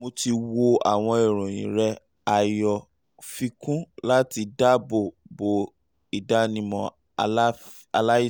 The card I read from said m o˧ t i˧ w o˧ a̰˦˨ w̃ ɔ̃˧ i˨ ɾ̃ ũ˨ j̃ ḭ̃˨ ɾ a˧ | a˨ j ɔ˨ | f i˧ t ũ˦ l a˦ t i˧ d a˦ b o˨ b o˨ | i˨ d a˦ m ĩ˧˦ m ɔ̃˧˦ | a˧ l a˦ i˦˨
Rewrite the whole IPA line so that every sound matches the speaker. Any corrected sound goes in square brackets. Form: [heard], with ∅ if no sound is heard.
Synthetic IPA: m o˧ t i˧ w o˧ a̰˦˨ w̃ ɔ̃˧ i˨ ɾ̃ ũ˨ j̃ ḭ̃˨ ɾ [ɛ˧] | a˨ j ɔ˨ | f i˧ [k] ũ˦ l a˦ t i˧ d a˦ b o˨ b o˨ | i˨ d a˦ [n] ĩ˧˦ m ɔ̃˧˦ | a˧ l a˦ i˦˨